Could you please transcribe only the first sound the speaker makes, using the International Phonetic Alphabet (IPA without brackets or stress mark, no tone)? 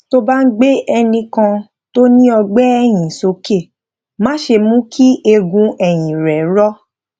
t